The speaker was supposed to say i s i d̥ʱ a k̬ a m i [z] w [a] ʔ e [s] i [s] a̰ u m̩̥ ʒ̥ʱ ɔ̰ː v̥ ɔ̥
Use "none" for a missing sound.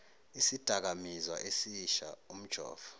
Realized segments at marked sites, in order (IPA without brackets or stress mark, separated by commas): z, a, s, ʃ